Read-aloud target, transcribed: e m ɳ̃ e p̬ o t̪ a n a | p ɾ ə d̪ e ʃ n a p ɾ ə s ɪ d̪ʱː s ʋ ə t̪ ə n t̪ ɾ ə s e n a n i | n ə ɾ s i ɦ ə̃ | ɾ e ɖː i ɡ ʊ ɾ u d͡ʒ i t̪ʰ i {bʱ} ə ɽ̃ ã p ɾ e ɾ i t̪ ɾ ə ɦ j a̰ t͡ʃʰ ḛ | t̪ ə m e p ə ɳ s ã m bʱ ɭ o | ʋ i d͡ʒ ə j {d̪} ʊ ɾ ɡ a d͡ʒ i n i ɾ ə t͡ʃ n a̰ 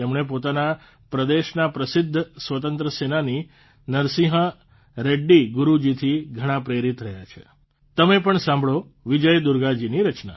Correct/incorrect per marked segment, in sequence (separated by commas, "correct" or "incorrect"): incorrect, correct